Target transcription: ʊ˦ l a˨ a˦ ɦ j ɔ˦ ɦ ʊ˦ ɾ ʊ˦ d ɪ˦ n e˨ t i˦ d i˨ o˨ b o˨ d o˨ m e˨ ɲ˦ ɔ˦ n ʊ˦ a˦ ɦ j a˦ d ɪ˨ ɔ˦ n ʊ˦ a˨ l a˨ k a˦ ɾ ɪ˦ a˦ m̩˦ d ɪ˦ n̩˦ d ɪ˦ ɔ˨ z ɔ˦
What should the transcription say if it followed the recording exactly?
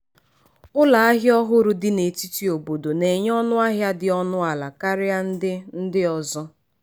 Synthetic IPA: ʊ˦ l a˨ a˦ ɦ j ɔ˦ ɦ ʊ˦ ɾ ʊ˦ d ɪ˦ n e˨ t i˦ t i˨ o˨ b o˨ d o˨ n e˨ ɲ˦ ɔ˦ n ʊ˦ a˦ ɦ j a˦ d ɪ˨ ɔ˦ n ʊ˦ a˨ l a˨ k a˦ ɾ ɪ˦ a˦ n̩˦ d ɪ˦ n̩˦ d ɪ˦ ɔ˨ z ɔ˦